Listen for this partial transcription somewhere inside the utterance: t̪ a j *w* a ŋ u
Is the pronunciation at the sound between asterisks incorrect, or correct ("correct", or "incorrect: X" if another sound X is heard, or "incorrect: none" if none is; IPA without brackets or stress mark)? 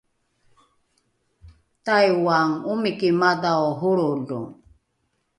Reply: correct